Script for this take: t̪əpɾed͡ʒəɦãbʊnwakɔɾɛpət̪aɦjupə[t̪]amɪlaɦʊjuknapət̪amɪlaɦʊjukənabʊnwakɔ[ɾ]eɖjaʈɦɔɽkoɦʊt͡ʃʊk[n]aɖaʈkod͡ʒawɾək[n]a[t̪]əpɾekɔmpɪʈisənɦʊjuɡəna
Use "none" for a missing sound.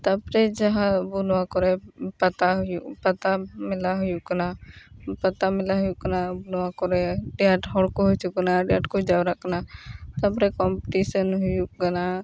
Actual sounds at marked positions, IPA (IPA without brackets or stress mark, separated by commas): t̪, ɾ, n, n, t̪